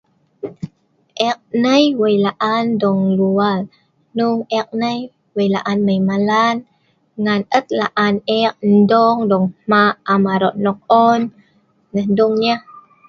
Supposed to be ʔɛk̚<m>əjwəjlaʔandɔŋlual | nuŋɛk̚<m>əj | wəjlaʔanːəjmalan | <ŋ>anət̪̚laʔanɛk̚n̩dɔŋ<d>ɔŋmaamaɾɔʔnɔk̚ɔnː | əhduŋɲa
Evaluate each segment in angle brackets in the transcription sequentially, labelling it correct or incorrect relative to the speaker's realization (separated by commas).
incorrect, incorrect, correct, correct